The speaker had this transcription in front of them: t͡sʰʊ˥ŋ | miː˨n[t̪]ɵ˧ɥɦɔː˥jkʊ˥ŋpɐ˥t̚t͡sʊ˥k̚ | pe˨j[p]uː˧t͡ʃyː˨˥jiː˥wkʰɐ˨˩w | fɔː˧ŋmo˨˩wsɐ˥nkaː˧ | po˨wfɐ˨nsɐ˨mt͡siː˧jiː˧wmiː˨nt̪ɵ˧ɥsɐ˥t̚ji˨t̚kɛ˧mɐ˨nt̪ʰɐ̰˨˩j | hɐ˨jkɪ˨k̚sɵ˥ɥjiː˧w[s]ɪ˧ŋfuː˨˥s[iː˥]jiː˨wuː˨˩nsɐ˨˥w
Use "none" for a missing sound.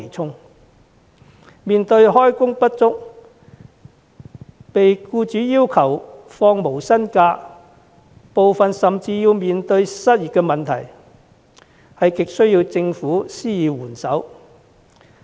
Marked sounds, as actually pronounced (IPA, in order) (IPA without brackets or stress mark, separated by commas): t̪, k, t͡s, iː˥